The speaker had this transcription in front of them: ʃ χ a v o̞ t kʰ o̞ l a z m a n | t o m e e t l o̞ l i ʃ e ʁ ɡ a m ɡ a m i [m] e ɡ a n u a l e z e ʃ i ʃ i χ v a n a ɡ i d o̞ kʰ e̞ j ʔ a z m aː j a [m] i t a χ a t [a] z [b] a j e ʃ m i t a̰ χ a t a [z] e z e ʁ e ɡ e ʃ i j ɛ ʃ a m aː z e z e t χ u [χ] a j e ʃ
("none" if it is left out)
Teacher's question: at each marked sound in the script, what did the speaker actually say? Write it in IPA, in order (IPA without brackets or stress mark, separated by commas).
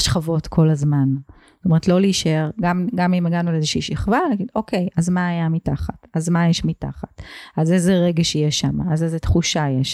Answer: m, m, a, m, z, ʃ